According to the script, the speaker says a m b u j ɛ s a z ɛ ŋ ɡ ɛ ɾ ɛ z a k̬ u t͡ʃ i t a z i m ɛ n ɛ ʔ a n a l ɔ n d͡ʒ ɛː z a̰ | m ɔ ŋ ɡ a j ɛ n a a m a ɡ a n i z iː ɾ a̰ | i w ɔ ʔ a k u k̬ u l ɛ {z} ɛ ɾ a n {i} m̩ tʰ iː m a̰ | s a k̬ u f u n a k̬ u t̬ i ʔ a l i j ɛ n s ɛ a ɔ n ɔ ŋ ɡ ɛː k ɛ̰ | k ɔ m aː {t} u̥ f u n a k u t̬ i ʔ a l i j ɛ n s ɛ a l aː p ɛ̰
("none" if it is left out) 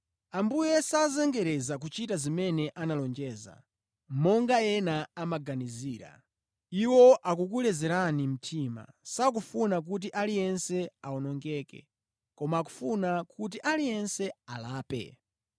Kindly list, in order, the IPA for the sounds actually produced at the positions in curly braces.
z, i, k

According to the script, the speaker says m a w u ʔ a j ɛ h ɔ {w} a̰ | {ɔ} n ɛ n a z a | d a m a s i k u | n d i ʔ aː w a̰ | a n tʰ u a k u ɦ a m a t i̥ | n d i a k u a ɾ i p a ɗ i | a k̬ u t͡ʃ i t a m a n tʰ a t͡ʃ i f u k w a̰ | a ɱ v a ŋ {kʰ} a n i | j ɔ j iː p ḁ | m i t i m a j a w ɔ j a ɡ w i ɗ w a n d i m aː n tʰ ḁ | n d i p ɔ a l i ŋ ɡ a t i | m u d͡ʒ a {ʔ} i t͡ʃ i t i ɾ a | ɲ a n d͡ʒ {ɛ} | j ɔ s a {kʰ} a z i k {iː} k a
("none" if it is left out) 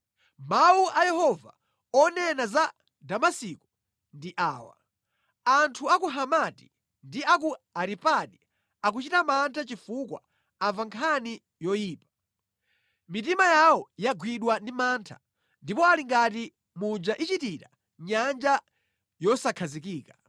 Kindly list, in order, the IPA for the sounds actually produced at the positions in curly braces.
v, ɔ, kʰ, ʔ, a, kʰ, iː

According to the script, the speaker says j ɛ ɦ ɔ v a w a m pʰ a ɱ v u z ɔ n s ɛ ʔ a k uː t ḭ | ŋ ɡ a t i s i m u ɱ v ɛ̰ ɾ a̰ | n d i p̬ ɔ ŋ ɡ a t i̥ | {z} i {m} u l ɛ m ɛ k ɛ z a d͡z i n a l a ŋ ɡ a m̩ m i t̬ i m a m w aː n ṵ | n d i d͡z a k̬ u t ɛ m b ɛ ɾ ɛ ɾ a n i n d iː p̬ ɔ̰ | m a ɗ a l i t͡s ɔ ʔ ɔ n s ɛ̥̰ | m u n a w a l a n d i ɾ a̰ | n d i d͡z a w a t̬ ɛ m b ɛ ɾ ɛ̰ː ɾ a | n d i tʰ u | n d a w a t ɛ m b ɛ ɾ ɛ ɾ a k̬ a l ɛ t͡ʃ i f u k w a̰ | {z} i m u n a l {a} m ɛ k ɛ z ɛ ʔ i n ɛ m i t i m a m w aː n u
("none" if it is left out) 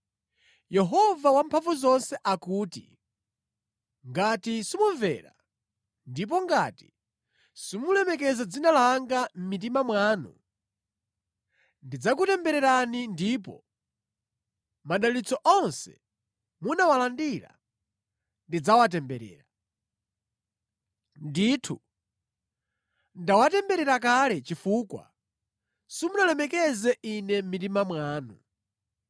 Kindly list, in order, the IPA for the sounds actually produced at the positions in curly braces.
s, m, s, ɛ

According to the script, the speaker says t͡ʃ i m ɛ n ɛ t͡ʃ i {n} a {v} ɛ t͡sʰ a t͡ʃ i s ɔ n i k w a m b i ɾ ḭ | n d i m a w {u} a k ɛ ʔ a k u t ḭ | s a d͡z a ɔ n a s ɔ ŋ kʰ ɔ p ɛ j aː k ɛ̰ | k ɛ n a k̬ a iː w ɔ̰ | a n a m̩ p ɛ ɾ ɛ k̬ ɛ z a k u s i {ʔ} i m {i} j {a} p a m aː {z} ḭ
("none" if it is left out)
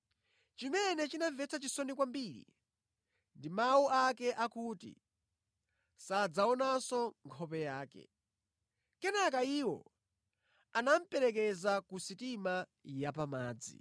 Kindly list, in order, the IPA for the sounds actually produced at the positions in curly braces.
n, v, u, t, a, a, d͡z

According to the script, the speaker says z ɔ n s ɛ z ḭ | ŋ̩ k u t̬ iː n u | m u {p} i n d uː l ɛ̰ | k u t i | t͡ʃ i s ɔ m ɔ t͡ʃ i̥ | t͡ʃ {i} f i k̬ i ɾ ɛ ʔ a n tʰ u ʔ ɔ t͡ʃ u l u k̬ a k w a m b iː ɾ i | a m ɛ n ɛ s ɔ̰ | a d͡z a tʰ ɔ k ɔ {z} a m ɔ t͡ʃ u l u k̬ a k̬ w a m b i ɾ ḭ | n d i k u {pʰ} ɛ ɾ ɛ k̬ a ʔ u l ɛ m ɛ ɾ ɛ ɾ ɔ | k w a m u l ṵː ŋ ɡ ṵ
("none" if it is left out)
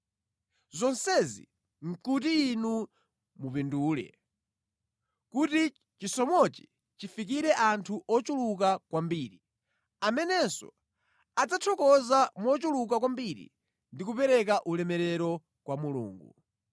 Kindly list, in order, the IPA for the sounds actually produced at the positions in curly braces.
p, i, z, p

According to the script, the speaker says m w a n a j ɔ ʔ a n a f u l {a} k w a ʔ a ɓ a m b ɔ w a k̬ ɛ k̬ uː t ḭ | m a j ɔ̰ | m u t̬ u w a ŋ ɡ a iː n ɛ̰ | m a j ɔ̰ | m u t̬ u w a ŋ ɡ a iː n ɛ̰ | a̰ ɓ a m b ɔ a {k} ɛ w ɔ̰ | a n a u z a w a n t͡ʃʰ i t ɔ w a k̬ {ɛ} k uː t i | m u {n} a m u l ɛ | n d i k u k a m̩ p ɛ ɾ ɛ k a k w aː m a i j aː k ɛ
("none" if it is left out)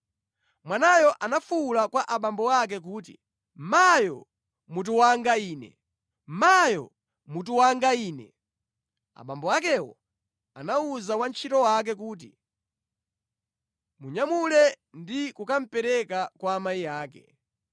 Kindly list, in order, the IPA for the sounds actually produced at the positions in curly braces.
a, k, ɛ, ɲ

